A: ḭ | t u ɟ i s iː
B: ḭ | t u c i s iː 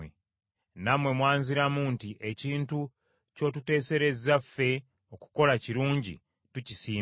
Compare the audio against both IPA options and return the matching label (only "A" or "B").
B